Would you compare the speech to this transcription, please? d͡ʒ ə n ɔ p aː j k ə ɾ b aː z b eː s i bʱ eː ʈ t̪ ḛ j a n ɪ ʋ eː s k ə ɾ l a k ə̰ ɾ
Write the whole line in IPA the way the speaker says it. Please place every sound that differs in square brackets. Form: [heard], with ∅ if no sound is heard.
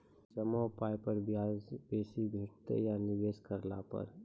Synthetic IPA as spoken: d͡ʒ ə [m] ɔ p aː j [p] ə ɾ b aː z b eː s i bʱ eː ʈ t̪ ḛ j a n ɪ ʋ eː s k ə ɾ l a [p] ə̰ ɾ